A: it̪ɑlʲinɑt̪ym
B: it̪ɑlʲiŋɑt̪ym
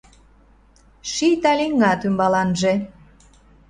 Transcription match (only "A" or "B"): B